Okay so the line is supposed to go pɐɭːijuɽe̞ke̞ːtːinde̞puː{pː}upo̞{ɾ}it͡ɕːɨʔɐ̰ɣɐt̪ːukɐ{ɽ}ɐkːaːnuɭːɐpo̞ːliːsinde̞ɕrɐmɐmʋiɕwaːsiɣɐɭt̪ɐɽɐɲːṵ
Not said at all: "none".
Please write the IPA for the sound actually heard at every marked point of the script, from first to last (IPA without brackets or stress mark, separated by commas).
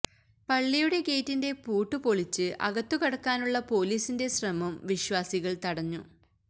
ʈː, ɭ, ɽ